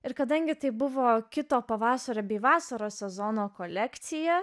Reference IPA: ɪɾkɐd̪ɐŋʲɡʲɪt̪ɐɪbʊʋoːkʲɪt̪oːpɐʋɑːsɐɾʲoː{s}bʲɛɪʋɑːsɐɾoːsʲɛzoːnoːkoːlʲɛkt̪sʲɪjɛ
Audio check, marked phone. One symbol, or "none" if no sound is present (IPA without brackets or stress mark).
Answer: none